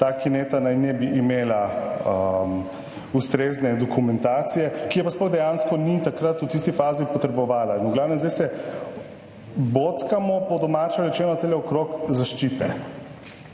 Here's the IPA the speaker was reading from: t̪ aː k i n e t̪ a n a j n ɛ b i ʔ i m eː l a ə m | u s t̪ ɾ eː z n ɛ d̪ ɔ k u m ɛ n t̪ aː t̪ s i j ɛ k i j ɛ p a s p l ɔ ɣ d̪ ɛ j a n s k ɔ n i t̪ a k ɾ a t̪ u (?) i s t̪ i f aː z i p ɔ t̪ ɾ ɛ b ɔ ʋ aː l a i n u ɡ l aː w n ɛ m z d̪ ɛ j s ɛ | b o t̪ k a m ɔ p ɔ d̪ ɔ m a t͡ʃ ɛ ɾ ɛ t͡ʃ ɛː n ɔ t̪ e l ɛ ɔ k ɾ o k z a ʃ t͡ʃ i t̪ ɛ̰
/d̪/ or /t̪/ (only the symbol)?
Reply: t̪